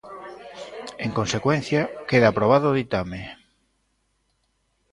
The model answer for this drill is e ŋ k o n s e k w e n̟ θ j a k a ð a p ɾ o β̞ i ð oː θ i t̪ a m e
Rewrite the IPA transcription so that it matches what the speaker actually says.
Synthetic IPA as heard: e ŋ k o n s e k w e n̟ θ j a k e ð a p ɾ o β̞ a ð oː ð i t̪ a m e